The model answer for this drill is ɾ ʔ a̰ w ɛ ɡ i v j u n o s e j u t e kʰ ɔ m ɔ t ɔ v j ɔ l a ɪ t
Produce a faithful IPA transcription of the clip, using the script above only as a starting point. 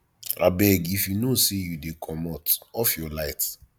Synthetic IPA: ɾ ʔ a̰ b ɛ ɡ i f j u n o s e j u d e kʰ ɔ m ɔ t ɔ f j ɔ l a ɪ t